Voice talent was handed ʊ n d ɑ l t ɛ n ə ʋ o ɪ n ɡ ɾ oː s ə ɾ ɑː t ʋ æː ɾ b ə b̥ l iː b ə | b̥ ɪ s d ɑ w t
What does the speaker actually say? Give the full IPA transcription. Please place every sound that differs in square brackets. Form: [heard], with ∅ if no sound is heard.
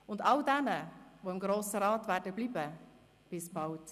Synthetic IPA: ʊ n d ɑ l [d] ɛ n ə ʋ o ɪ [m] ɡ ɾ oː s ə ɾ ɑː t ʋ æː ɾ [d] ə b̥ l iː b ə | b̥ ɪ s [b] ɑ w t